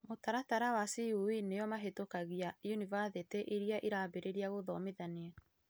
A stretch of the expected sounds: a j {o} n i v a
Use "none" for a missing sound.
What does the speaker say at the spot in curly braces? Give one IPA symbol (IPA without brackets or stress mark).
u